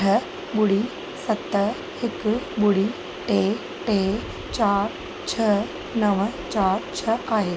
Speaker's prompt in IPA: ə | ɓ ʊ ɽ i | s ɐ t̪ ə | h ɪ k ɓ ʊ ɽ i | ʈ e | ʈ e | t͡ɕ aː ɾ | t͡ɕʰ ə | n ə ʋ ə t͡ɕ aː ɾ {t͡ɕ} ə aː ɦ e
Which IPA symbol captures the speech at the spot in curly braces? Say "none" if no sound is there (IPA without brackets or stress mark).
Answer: t͡ɕʰ